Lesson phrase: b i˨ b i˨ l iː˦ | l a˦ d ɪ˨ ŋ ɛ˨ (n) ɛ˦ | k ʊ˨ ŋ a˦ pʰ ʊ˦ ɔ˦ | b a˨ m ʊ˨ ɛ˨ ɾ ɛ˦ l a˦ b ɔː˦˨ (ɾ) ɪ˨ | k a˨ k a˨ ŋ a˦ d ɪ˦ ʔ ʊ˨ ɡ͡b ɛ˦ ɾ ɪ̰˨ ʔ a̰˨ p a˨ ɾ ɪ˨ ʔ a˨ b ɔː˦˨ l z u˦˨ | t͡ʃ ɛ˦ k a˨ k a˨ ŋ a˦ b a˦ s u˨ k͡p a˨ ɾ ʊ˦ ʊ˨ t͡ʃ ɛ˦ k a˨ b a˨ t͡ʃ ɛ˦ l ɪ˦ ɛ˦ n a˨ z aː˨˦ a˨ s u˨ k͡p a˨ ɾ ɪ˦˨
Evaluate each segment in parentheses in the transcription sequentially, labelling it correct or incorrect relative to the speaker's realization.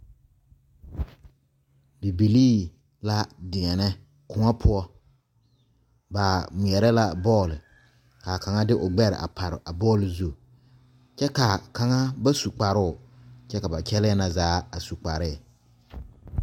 correct, incorrect: l

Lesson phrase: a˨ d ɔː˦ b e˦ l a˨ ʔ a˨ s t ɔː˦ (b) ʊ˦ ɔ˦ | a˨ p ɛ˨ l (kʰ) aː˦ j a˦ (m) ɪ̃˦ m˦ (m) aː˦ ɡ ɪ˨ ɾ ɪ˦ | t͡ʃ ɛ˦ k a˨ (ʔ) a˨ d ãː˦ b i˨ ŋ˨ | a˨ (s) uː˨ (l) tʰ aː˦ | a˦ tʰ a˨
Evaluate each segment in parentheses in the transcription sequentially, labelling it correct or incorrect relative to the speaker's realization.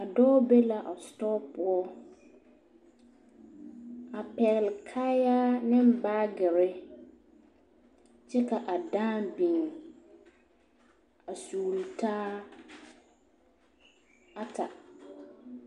incorrect: p, correct, incorrect: n, incorrect: b, correct, correct, correct

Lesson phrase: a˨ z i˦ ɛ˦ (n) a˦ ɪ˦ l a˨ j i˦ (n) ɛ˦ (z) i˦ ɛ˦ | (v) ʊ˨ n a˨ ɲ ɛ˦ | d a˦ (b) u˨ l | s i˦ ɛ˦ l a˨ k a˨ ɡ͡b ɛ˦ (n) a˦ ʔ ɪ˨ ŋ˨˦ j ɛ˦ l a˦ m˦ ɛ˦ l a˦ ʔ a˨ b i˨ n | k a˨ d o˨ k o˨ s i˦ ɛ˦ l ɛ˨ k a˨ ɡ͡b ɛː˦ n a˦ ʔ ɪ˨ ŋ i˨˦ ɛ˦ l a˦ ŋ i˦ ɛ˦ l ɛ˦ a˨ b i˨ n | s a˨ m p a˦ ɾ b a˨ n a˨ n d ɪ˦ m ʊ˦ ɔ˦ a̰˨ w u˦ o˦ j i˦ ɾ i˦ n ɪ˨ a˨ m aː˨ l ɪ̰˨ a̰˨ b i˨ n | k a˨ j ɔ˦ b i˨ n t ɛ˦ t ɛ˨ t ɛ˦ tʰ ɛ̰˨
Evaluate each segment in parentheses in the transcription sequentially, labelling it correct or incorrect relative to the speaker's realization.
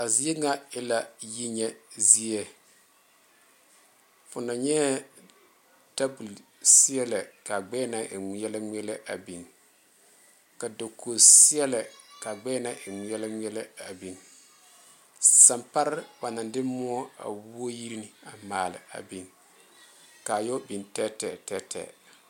incorrect: ŋ, incorrect: ɲ, correct, incorrect: f, correct, correct

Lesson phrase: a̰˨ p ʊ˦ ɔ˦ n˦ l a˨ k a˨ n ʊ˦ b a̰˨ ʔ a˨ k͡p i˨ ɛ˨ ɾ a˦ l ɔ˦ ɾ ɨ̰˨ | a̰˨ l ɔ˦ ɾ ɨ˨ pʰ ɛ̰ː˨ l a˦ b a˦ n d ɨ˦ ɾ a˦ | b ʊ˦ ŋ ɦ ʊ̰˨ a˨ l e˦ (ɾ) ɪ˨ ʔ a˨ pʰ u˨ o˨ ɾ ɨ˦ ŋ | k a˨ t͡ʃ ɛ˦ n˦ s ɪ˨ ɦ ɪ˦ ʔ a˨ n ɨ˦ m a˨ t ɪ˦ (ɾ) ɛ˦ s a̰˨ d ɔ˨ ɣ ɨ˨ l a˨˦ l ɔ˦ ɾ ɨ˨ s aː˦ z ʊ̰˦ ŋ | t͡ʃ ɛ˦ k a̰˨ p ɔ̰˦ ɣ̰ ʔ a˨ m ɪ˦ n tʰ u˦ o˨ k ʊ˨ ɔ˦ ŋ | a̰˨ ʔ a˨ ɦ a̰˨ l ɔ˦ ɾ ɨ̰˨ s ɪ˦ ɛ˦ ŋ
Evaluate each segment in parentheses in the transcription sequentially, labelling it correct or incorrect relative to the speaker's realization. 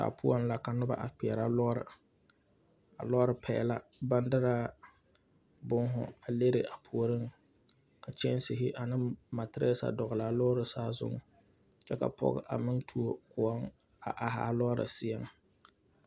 correct, correct

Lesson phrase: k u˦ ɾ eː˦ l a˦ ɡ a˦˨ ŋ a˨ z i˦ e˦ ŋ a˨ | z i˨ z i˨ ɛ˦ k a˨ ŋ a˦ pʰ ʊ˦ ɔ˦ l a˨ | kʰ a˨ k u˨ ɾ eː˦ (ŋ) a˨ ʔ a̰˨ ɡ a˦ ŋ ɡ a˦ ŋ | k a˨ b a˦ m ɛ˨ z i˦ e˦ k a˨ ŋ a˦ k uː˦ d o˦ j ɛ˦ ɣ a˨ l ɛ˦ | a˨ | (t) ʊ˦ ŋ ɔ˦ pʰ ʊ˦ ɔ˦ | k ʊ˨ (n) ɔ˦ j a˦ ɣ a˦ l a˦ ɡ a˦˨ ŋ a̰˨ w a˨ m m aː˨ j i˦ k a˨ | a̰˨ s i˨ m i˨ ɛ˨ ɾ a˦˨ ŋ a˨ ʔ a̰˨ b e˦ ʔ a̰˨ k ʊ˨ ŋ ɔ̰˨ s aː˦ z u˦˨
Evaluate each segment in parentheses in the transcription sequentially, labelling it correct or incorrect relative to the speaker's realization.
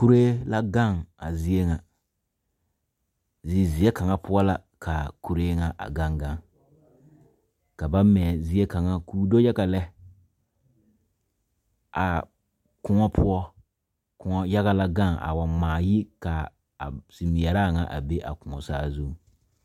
correct, incorrect: k, incorrect: ŋ

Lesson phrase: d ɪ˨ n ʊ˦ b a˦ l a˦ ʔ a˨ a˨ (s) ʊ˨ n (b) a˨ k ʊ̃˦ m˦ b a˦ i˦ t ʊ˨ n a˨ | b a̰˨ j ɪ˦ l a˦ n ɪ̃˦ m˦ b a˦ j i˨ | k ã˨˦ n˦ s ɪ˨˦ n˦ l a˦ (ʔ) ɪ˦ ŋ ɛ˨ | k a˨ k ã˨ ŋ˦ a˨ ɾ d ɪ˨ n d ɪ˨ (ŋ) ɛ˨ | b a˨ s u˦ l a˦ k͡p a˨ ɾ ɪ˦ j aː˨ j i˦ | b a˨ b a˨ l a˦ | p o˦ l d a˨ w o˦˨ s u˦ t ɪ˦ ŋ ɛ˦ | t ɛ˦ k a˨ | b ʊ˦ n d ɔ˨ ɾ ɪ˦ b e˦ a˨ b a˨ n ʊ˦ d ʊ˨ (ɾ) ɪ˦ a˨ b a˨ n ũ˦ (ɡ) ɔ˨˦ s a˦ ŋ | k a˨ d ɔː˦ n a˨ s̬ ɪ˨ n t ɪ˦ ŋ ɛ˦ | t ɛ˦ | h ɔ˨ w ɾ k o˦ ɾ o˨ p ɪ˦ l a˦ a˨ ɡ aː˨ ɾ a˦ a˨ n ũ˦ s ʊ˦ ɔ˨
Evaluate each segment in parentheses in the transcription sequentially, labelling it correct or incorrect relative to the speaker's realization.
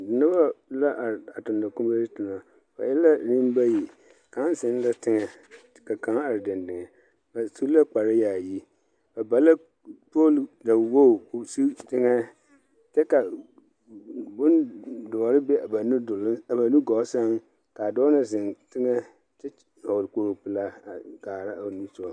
incorrect: t, incorrect: d, incorrect: t, correct, incorrect: l, correct

